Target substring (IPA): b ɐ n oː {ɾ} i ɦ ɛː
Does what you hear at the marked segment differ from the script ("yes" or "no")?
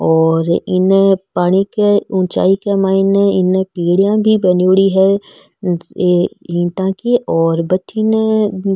yes